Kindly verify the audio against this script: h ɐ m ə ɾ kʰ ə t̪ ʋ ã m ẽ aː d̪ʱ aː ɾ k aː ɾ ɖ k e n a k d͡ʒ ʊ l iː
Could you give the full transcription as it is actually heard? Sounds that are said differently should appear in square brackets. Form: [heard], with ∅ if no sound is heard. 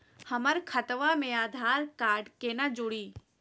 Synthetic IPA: h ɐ m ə ɾ kʰ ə t̪ ʋ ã m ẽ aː d̪ʱ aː ɾ k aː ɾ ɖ k e n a [∅] d͡ʒ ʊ [ɽ] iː